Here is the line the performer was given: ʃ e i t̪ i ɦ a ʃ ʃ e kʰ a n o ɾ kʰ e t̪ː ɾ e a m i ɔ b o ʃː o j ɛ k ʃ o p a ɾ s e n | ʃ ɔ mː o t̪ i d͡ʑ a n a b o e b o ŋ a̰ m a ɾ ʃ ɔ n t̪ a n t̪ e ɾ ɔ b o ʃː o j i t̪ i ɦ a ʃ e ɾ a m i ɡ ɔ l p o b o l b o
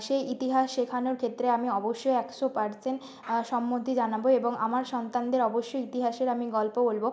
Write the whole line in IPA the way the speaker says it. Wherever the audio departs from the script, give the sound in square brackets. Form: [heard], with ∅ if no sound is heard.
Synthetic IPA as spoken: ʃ e i t̪ i ɦ a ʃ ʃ e kʰ a n o ɾ kʰ e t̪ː ɾ e a m i ɔ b o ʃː o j ɛ k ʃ o p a ɾ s e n | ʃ ɔ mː o t̪ i d͡ʑ a n a b o e b o ŋ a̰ m a ɾ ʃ ɔ n t̪ a n [d̪] e ɾ ɔ b o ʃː o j i t̪ i ɦ a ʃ e ɾ a m i ɡ ɔ l p o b o l b o